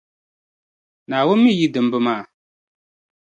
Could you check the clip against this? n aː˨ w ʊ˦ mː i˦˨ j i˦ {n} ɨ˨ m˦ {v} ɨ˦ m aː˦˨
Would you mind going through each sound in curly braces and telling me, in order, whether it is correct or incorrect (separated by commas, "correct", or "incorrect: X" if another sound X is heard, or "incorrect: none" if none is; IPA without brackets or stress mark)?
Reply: incorrect: d, incorrect: b